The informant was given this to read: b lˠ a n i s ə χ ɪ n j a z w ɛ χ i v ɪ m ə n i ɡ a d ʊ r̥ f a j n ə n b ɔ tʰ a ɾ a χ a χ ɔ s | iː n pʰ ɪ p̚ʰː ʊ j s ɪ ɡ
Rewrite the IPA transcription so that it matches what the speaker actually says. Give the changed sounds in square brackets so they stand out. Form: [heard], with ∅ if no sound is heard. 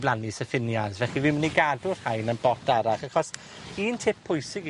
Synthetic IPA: b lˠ a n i s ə [f] ɪ n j a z [v] ɛ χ i v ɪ m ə n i ɡ a d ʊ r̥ [h] a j n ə n b ɔ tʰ a ɾ a χ a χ ɔ s | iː n [tʰ] ɪ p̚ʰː ʊ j s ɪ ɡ